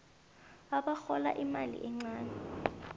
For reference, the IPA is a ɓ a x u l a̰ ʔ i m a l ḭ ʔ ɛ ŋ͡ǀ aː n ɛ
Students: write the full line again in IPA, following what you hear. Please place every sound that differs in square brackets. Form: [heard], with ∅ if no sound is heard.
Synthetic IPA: a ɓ a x [ɔ] l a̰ ʔ i m a l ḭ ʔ ɛ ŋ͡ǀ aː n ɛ